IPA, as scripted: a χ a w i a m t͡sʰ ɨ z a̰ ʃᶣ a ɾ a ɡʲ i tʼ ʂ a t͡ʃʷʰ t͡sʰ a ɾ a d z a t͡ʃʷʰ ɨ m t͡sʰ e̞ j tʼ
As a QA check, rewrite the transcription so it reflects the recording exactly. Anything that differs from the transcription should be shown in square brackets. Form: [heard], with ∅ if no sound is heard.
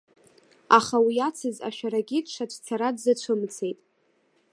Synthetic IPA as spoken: a χ a w i a [∅] t͡sʰ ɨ z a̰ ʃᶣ a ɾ a ɡʲ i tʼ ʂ a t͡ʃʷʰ t͡sʰ a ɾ a d z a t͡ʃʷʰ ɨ m t͡sʰ e̞ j tʼ